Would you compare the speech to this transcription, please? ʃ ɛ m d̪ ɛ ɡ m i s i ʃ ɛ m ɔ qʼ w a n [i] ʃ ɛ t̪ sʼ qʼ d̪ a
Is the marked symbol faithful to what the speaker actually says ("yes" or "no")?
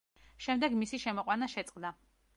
no